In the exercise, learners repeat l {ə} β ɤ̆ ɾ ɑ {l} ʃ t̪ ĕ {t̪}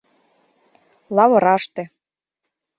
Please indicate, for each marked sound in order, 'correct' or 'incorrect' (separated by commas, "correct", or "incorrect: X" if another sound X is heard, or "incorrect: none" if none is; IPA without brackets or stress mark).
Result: incorrect: ɑ, incorrect: none, incorrect: none